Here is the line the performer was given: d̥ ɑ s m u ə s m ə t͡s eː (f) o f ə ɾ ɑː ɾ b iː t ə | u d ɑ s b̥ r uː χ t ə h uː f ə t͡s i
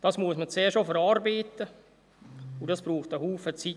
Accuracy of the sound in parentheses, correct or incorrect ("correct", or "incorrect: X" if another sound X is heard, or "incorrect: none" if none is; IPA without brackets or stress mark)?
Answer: incorrect: ʃ